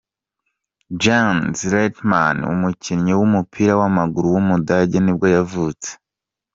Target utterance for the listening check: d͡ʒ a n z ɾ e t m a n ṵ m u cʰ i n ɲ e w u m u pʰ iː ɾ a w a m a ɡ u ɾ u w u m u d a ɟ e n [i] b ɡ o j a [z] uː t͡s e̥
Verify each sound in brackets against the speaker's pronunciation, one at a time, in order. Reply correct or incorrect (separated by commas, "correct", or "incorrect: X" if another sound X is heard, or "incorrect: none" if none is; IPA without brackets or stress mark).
correct, incorrect: v